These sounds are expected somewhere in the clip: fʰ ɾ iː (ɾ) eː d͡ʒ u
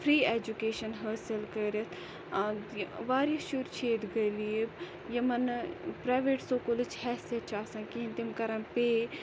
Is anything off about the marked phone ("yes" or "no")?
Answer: yes